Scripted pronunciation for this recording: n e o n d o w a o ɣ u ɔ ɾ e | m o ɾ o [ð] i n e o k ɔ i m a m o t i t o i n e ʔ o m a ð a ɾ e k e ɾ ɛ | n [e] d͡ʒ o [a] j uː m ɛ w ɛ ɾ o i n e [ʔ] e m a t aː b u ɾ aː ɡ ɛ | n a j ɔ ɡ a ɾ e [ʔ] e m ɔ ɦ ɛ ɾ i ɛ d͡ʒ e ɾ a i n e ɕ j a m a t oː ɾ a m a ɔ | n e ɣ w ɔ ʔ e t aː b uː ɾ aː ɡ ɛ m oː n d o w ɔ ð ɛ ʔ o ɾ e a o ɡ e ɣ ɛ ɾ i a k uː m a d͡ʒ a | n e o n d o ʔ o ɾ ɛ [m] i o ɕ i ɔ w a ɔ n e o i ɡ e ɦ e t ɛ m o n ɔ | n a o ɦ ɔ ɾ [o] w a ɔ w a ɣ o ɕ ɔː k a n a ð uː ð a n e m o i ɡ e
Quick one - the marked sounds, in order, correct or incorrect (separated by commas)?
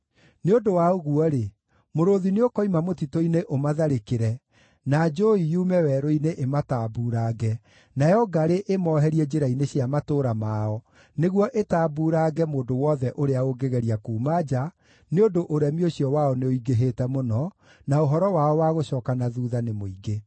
correct, incorrect, incorrect, correct, correct, correct, incorrect